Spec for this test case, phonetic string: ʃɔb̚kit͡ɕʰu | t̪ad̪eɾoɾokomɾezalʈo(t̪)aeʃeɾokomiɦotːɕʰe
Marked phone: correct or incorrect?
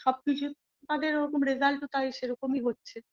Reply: correct